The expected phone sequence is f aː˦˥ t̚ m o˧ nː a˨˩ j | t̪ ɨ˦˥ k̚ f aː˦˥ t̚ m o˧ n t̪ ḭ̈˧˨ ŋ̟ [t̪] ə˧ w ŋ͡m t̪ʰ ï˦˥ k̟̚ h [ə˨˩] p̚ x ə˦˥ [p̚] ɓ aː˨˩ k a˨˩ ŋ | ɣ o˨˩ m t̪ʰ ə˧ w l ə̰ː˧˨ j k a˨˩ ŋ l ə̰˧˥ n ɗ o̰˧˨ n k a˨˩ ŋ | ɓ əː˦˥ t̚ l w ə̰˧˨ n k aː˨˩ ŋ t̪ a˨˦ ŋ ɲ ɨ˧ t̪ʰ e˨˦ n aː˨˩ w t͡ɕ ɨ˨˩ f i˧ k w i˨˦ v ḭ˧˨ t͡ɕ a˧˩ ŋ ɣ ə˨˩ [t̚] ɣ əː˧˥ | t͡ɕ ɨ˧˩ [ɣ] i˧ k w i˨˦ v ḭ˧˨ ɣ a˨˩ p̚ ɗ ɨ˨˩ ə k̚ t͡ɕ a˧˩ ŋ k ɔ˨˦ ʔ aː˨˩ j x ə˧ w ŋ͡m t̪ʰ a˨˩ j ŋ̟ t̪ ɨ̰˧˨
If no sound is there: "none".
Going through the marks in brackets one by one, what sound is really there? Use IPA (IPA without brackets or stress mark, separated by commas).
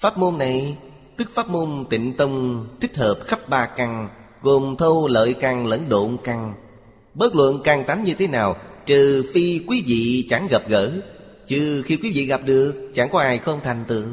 t̪, əː˨˩, p̚, p̚, x